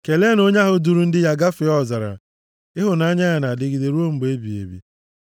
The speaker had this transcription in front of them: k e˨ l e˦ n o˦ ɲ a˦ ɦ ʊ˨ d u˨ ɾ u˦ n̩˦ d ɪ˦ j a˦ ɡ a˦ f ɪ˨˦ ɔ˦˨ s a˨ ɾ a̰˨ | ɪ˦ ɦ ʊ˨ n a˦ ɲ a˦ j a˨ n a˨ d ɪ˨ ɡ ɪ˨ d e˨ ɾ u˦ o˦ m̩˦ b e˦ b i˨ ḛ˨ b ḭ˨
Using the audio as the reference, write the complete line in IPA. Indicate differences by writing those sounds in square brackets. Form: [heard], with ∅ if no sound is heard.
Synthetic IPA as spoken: k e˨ l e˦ n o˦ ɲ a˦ ɦ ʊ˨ d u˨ ɾ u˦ n̩˦ d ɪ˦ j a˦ ɡ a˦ f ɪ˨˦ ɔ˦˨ [z] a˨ ɾ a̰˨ | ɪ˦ ɦ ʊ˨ n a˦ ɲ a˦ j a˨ n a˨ d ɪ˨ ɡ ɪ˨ d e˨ ɾ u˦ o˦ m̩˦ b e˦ b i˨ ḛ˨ b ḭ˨

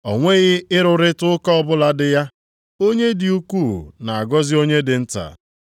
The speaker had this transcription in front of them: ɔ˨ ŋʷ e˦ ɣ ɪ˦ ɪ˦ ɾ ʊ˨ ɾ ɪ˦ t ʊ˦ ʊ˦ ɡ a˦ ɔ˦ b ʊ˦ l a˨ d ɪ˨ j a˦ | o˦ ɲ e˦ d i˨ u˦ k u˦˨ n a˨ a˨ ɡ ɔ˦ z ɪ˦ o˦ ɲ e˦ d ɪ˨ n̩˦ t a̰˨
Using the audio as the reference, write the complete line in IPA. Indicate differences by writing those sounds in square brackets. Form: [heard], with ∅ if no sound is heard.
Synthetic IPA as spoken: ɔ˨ ŋʷ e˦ ɣ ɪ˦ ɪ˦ ɾ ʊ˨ ɾ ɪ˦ t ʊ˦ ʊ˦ [k] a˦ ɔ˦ b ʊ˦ l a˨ d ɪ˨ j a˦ | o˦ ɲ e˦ d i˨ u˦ k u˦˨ n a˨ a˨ ɡ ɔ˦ z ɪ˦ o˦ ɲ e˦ d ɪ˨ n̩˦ t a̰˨

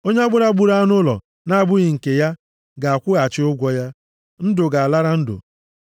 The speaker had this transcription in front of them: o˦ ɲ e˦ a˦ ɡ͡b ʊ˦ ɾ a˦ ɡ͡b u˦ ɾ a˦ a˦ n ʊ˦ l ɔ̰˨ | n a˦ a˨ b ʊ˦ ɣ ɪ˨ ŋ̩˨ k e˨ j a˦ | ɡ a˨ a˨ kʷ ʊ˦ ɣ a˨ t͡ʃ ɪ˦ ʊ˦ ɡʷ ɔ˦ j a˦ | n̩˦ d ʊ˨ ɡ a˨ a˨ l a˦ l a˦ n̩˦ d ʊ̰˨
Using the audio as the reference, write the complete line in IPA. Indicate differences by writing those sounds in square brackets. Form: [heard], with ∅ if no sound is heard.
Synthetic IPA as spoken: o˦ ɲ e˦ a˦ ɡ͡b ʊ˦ ɾ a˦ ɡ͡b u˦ ɾ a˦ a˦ n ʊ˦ l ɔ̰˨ | n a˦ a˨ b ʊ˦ ɣ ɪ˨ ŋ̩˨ k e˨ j a˦ | ɡ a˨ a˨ kʷ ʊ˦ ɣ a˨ t͡ʃ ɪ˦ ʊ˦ ɡʷ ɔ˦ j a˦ | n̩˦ d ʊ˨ ɡ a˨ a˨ l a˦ [ɾ] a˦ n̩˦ d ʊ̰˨

